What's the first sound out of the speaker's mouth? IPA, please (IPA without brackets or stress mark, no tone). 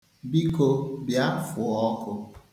b